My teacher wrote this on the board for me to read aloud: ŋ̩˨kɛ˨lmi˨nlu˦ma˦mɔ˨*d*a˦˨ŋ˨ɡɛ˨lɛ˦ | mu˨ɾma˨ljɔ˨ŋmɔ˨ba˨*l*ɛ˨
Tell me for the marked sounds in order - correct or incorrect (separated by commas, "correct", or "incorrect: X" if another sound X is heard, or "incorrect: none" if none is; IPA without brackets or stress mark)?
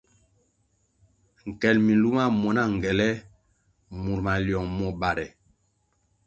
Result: incorrect: n, incorrect: ɾ